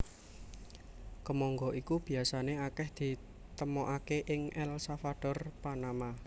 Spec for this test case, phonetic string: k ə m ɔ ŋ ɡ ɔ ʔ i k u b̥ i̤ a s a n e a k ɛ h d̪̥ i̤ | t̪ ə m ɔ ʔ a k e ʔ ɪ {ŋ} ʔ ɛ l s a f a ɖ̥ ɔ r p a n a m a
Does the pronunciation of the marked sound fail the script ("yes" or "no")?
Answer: no